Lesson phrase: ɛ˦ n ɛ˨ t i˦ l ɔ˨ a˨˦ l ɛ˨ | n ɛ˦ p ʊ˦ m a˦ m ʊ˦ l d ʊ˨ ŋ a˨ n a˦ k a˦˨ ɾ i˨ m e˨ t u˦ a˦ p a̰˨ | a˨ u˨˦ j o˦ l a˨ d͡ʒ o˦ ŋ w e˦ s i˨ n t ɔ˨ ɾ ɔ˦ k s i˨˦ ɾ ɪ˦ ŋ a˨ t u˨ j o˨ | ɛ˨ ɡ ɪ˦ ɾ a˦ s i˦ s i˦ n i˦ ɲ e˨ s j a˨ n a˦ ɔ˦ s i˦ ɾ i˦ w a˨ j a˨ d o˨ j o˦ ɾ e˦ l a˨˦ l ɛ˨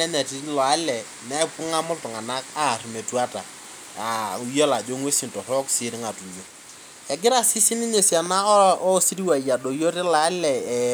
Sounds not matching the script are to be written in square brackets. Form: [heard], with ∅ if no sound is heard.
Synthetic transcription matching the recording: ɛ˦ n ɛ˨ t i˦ l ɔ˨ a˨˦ l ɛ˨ | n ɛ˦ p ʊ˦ [ŋ] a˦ m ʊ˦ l [t] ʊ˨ ŋ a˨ n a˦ k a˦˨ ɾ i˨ m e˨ t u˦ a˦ [t] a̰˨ | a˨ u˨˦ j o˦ l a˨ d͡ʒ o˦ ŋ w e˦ s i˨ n t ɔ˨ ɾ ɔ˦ k s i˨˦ ɾ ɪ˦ ŋ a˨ t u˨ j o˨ | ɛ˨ ɡ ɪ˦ ɾ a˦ s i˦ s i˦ n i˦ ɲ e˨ s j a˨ n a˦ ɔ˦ s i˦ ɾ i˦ w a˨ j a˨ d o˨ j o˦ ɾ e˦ l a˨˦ l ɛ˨

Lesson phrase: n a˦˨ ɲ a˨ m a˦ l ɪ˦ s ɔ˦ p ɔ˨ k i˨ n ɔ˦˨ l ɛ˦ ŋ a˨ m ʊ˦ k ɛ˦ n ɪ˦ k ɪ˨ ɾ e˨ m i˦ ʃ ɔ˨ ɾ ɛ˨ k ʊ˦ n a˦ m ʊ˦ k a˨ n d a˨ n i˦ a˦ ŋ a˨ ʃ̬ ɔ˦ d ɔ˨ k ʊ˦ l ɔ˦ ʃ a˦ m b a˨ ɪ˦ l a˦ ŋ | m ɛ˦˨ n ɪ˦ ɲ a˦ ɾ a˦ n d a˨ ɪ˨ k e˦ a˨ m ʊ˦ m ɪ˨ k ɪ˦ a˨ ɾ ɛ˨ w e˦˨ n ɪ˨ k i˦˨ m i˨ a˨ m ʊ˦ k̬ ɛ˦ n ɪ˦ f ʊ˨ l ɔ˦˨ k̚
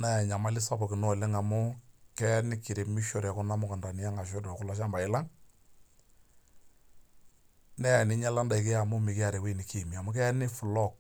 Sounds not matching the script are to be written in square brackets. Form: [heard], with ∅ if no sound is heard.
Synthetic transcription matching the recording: n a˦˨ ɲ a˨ m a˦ l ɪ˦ s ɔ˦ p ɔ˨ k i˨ n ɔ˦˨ l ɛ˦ ŋ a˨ m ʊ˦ k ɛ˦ n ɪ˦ k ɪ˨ ɾ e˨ m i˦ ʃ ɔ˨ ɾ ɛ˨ k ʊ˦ n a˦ m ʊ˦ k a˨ n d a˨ n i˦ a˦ ŋ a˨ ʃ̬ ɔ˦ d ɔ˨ k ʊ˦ l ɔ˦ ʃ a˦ m b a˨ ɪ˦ l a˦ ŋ | [n] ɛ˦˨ n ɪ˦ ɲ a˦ [l] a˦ n d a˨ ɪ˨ k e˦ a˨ m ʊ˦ m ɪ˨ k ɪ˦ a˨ ɾ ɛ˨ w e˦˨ n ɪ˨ k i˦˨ m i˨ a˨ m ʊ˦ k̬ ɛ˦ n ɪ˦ f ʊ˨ l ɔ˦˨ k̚

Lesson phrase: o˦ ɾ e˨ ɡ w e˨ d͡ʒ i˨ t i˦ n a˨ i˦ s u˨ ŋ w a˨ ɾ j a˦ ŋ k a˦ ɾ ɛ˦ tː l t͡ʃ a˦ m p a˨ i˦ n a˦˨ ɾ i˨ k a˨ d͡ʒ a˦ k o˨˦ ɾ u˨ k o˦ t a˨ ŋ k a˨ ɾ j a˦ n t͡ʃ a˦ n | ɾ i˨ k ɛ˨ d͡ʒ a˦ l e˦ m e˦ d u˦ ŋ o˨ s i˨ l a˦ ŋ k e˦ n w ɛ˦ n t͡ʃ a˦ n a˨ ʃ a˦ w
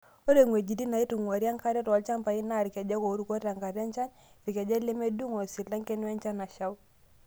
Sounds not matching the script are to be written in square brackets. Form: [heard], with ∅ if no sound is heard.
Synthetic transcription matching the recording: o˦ ɾ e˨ [ŋ] w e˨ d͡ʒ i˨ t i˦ n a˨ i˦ [t] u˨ ŋ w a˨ ɾ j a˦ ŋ k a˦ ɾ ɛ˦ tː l t͡ʃ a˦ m p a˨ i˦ n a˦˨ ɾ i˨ k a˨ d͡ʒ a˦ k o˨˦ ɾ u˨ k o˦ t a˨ ŋ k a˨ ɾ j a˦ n t͡ʃ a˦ n | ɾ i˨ k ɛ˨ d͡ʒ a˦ l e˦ m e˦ d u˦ ŋ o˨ s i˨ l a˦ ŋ k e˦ n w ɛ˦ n t͡ʃ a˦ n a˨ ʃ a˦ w

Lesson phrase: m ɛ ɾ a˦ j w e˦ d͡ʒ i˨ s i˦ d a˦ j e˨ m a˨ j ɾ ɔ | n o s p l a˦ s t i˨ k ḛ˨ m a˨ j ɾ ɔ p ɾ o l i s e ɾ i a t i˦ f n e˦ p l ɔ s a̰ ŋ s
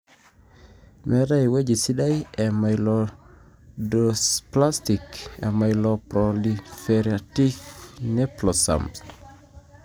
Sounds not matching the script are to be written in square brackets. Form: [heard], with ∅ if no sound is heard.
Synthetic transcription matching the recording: m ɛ ɾ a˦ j w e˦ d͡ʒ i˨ s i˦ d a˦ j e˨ m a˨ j [l] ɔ | [d] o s p l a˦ s t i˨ k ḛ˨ m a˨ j [l] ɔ p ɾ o l i [f] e ɾ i a t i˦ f n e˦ p l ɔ s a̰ [m] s

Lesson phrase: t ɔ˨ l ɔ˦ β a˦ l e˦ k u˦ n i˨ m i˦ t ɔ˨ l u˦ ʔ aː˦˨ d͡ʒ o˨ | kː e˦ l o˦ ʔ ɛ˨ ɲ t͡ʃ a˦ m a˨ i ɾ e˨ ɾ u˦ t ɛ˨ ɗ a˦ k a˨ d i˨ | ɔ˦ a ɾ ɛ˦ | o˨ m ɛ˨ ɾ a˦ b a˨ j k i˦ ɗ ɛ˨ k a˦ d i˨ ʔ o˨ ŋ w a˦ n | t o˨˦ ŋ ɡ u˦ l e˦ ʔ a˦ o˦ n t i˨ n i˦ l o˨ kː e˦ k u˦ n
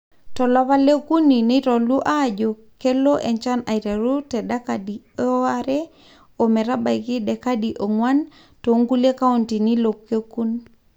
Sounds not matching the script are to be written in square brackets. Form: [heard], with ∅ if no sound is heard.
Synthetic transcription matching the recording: t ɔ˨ l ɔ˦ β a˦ l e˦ k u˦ n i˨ [n] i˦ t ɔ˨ l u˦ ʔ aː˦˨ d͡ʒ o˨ | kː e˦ l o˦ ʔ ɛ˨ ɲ t͡ʃ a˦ [n] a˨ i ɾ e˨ ɾ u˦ t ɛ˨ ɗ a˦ k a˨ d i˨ | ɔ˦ a ɾ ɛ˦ | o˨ m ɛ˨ ɾ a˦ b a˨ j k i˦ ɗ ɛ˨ k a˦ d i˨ ʔ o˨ ŋ w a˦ n | t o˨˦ ŋ ɡ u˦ l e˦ [k] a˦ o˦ n t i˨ n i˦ l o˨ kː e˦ k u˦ n

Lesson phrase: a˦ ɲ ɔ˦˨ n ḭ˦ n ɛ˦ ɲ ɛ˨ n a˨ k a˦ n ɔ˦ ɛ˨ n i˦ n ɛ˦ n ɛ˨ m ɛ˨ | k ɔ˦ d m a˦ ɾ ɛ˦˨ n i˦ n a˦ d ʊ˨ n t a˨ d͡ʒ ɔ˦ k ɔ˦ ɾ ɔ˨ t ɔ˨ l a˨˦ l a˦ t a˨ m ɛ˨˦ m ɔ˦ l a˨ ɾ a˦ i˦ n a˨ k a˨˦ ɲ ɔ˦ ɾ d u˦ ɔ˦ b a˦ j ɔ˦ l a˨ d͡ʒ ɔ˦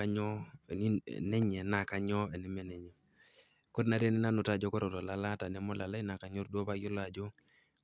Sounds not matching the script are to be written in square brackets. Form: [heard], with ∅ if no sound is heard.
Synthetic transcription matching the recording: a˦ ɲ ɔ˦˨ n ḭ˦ n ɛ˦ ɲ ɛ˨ n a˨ k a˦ [ɲ] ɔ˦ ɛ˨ n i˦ [m] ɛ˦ n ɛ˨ [ɲ] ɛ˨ | k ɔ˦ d [n] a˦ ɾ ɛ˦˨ n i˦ n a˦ [n] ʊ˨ [∅] t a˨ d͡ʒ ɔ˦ k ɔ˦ ɾ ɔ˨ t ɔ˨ l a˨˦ l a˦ t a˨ [n] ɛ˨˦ m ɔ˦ l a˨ [l] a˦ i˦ n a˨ k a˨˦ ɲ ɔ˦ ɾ d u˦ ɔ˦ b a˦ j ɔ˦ l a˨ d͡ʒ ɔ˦

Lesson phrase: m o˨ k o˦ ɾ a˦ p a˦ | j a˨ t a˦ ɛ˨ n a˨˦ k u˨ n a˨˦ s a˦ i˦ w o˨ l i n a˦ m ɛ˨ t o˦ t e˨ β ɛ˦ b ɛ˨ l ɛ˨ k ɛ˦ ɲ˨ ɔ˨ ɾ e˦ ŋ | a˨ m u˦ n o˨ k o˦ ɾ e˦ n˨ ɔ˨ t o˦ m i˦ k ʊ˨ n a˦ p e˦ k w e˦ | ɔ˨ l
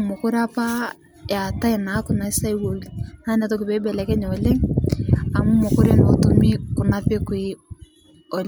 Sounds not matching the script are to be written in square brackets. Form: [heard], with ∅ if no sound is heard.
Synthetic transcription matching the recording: m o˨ k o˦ ɾ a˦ p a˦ | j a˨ t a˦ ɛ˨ n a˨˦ k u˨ n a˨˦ s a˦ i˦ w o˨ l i n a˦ [n] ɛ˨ t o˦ [k] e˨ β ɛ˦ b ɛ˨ l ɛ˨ k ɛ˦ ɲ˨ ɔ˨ [l] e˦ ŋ | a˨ m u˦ [m] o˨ k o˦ ɾ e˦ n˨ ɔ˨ t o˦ m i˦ k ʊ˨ n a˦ p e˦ k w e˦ | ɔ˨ l

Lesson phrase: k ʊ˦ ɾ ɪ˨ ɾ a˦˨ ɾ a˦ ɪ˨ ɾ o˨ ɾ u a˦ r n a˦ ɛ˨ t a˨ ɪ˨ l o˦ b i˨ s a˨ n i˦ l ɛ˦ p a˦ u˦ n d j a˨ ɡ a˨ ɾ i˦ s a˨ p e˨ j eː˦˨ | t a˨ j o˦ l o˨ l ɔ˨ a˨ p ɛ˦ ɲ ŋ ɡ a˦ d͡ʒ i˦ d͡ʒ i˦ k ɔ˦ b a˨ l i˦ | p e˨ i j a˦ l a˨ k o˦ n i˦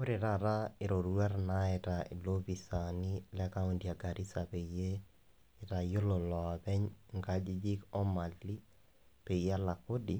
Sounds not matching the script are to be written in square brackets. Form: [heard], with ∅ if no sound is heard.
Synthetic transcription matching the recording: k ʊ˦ ɾ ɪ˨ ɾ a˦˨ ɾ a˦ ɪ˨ ɾ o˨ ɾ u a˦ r n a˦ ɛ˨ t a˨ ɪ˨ l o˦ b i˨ s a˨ n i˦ l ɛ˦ [k] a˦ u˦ n d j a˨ ɡ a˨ ɾ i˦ s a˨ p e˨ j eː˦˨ | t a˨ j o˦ l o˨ l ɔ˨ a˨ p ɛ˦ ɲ ŋ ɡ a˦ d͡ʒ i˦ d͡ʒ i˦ k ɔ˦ [m] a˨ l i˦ | p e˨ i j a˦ l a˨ k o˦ [d] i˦

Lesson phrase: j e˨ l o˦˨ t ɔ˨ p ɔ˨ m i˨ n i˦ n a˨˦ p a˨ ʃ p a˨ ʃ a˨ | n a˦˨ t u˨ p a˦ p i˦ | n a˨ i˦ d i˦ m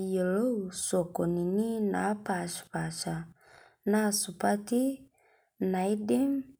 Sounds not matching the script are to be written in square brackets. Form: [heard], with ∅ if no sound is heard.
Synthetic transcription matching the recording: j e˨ l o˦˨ [s] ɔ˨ [k] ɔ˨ [n] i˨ n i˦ n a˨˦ p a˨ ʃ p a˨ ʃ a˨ | n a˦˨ [s] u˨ p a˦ [t] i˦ | n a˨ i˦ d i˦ m

